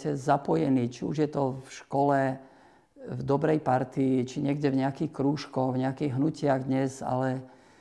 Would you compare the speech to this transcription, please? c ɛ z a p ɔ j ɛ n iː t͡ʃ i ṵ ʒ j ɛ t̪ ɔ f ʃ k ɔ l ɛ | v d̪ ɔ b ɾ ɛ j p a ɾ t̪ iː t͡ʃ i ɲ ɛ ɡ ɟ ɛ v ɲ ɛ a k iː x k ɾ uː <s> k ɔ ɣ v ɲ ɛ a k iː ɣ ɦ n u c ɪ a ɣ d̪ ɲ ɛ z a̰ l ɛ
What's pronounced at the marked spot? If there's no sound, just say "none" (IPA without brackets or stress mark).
ʃ